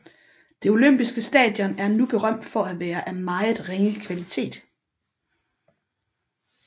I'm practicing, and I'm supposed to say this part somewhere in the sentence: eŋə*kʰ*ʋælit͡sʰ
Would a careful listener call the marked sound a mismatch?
no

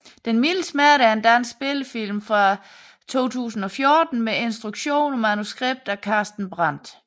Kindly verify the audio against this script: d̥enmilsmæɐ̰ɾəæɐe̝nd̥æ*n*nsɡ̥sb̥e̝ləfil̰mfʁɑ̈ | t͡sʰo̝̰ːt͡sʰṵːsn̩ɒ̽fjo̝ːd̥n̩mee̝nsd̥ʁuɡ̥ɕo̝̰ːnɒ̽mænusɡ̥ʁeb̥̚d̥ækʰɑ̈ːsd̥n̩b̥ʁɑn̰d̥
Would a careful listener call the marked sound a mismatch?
no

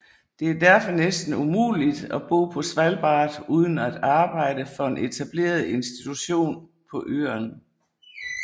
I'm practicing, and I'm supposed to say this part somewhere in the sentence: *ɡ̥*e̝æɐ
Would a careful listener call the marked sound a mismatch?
yes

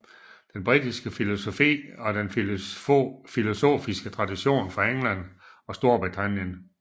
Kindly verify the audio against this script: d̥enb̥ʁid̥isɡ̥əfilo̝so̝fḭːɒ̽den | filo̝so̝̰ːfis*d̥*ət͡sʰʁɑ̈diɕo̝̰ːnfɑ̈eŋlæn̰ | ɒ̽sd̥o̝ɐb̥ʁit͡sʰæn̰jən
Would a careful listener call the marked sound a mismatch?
yes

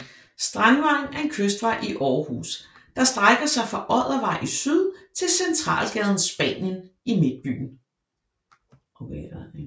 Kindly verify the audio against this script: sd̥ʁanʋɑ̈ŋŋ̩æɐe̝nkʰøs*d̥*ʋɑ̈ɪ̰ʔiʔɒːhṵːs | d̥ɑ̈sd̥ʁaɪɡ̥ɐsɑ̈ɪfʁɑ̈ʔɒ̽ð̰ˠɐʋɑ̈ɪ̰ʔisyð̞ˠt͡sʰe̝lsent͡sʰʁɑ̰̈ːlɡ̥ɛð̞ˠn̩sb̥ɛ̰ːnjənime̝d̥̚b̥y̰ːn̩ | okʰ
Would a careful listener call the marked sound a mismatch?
no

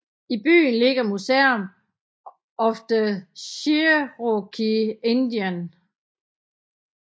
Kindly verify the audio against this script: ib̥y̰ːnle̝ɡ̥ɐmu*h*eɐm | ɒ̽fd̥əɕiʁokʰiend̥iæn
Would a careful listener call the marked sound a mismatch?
yes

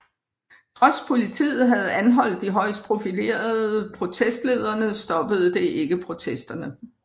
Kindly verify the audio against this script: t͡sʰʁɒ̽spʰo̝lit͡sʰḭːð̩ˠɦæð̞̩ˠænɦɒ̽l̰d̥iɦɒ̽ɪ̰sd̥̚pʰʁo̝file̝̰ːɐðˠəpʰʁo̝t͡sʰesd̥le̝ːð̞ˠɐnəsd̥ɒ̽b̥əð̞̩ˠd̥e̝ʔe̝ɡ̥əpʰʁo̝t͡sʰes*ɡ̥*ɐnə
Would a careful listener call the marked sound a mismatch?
yes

